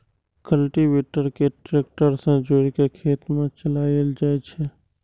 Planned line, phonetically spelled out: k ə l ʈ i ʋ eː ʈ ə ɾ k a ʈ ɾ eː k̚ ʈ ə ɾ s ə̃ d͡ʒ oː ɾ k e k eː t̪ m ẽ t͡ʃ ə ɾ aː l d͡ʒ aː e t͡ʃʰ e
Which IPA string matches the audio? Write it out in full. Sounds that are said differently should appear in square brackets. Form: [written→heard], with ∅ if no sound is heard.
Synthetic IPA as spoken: k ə l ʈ i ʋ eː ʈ ə ɾ k [a→e] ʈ ɾ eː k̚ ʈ ə ɾ s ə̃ d͡ʒ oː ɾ k e [k→kʰ] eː t̪ m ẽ t͡ʃ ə [ɾ→l] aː l d͡ʒ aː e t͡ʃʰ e